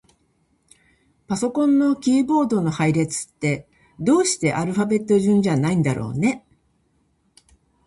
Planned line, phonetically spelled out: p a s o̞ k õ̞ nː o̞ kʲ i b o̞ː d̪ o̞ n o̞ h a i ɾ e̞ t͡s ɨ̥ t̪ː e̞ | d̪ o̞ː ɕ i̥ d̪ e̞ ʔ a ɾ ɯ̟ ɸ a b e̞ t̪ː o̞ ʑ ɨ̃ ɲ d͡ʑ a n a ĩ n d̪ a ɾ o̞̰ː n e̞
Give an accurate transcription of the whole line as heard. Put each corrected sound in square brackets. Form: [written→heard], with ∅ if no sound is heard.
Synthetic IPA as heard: p a s o̞ k õ̞ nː o̞ kʲ [i→iː] b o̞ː d̪ o̞ n o̞ h a i ɾ e̞ t͡s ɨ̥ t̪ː e̞ | d̪ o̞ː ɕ i̥ [d̪→t̪] e̞ ʔ a ɾ ɯ̟ ɸ a b e̞ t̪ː o̞ ʑ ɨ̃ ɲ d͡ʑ a n a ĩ n d̪ a ɾ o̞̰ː n e̞

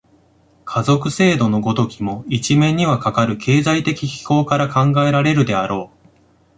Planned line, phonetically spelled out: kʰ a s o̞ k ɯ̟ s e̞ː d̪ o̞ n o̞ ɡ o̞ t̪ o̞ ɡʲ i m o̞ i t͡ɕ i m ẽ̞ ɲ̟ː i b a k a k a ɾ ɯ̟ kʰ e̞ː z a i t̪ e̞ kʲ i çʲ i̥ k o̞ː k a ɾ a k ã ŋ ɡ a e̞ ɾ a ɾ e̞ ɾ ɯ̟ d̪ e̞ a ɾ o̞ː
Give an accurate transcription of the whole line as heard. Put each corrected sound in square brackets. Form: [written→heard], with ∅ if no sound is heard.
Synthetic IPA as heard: kʰ a [s→z] o̞ k ɯ̟ s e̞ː d̪ o̞ n o̞ ɡ o̞ t̪ o̞ [ɡʲ→kʲ] i m o̞ i t͡ɕ i m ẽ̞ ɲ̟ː i [b→β] a k a k a ɾ ɯ̟ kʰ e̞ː z a i t̪ e̞ kʲ i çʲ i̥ k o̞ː k a ɾ a k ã ŋ ɡ a e̞ ɾ a ɾ e̞ ɾ ɯ̟ d̪ e̞ a ɾ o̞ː

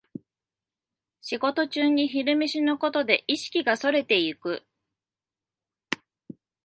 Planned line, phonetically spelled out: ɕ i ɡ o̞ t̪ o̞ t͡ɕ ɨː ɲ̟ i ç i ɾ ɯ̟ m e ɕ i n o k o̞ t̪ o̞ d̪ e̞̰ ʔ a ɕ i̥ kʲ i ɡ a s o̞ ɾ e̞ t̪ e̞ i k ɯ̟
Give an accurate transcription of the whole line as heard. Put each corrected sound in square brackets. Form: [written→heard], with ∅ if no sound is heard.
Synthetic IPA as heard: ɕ i ɡ o̞ t̪ o̞ t͡ɕ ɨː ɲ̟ i ç i ɾ ɯ̟ m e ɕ i n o k o̞ t̪ o̞ d̪ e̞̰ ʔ [a→i] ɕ i̥ kʲ i ɡ a s o̞ ɾ e̞ t̪ e̞ i k ɯ̟

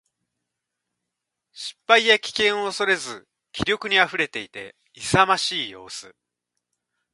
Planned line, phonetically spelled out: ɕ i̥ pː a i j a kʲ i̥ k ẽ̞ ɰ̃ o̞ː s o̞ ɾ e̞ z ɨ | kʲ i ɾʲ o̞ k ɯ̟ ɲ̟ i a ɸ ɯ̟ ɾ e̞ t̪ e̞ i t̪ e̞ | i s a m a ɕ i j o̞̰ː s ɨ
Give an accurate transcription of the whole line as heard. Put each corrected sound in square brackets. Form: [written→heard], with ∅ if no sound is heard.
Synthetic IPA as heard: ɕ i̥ pː a i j a kʲ i̥ k ẽ̞ ɰ̃ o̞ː s o̞ ɾ e̞ z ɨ | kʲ i ɾʲ o̞ k ɯ̟ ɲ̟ i a ɸ ɯ̟ ɾ e̞ t̪ e̞ i t̪ e̞ | i s a m a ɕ [i→iː] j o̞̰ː s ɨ

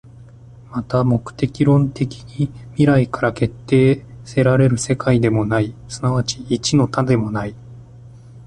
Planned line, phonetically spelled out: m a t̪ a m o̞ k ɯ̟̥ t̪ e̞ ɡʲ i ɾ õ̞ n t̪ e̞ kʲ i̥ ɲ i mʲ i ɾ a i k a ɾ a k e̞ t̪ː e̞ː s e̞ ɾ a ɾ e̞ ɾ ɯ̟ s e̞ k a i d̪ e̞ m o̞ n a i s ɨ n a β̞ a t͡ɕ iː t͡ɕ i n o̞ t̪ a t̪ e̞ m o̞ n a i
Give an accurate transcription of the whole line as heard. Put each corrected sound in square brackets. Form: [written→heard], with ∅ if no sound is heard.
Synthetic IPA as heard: m a t̪ a m o̞ k ɯ̟̥ t̪ e̞ [ɡʲ→kʲ] i ɾ õ̞ n t̪ e̞ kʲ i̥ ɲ i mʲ i ɾ a i k a ɾ a k e̞ t̪ː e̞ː s e̞ ɾ a ɾ e̞ ɾ ɯ̟ s e̞ k a i d̪ e̞ m o̞ n a i s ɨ n a β̞ a t͡ɕ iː t͡ɕ i n o̞ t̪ a [t̪→d̪] e̞ m o̞ n a i

